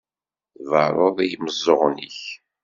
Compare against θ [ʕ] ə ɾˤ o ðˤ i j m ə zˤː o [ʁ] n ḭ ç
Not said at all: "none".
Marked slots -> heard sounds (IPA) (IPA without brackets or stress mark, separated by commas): v, ʁ